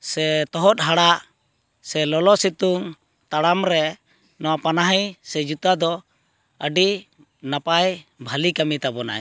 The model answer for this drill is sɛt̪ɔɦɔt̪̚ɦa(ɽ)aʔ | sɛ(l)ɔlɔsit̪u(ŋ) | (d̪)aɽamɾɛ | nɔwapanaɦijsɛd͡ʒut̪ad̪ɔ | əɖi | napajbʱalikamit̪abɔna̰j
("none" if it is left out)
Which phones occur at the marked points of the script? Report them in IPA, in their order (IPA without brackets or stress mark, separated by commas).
ɽ, l, ŋ, t̪